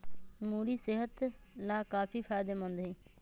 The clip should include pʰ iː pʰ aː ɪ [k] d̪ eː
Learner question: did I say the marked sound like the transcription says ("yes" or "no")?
no